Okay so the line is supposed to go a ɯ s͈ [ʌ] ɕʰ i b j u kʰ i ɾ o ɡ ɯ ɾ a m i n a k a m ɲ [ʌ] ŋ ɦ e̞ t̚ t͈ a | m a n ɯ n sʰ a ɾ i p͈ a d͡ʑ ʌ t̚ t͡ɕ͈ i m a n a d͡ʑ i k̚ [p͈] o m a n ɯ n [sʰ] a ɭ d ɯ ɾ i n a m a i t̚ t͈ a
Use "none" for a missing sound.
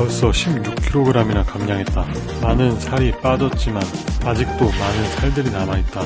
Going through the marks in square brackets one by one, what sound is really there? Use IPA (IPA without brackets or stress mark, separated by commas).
ʌ, a, t͈, sʰ